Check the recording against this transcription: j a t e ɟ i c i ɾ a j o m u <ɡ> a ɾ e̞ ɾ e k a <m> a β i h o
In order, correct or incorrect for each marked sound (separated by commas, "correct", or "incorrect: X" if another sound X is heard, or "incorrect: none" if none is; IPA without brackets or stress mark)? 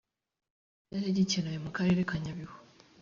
incorrect: k, incorrect: ɲ